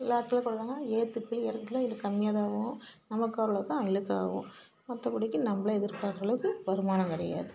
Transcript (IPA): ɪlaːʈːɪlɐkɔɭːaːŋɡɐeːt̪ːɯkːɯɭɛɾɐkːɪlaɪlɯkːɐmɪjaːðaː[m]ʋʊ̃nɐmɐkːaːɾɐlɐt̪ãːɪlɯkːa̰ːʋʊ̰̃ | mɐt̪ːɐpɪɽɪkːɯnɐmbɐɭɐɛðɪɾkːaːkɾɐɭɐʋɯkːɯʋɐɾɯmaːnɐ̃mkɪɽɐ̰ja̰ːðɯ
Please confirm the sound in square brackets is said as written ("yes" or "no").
no